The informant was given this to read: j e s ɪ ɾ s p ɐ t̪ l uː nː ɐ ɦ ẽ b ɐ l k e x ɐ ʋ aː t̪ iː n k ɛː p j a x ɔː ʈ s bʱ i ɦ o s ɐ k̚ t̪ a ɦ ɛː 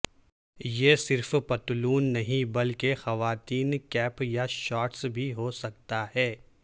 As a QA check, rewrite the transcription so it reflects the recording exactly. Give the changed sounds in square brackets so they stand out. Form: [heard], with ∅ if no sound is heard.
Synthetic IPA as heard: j e s ɪ ɾ [f] p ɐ t̪ l uː nː ɐ ɦ [ĩ] b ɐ l k e x ɐ ʋ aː t̪ iː n k ɛː p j a [ʃ] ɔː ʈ s bʱ i ɦ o s ɐ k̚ t̪ a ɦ ɛː